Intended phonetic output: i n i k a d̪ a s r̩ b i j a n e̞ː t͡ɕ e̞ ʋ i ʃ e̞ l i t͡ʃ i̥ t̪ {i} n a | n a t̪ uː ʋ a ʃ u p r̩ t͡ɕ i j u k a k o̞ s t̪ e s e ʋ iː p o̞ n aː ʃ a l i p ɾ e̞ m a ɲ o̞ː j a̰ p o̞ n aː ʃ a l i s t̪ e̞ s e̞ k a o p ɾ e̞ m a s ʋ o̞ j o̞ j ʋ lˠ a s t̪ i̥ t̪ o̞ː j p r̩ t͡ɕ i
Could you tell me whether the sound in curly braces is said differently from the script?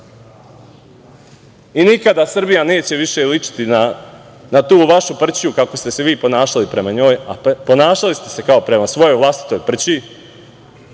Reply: no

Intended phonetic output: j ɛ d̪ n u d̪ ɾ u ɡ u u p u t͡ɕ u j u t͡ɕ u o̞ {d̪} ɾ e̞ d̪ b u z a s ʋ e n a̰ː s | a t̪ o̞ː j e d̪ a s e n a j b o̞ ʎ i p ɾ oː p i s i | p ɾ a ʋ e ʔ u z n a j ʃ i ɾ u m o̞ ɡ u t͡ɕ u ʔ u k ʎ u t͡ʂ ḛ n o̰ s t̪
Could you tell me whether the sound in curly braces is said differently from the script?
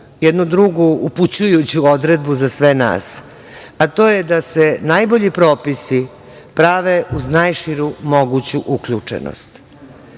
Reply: no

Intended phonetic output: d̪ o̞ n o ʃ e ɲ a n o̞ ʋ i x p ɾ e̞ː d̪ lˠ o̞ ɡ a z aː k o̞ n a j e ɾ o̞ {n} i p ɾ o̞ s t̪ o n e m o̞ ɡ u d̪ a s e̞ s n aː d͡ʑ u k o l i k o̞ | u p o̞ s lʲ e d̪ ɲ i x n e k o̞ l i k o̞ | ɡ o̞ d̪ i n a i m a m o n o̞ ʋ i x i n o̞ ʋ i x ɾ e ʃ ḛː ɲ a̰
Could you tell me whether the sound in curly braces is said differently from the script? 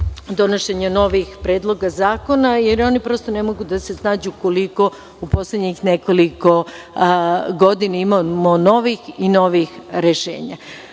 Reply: no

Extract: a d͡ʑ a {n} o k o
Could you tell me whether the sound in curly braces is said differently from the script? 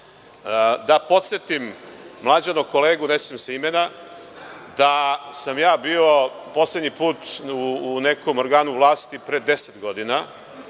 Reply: no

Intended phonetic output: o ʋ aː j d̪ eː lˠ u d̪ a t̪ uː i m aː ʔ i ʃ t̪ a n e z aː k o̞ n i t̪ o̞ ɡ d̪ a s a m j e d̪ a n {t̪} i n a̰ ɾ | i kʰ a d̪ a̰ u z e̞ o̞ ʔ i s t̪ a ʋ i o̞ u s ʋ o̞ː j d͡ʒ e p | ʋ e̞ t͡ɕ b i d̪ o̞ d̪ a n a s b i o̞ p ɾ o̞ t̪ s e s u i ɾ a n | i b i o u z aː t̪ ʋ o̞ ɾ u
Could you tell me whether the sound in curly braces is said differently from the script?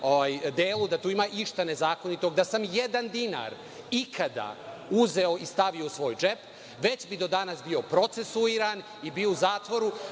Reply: yes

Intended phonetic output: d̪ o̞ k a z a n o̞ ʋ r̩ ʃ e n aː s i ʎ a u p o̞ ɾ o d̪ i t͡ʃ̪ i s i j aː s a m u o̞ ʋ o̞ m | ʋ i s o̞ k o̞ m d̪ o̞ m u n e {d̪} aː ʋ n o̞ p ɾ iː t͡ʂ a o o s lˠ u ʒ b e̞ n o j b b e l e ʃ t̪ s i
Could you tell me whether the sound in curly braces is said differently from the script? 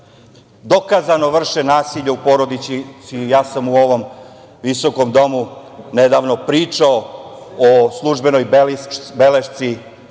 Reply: no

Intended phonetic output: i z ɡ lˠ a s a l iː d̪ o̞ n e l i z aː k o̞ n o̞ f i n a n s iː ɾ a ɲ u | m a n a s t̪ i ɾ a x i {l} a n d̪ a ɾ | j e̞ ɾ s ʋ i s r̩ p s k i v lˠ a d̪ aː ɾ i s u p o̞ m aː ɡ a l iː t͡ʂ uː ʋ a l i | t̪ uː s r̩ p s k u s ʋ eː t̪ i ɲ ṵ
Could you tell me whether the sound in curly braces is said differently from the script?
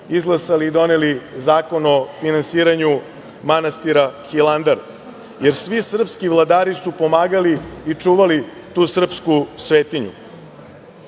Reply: no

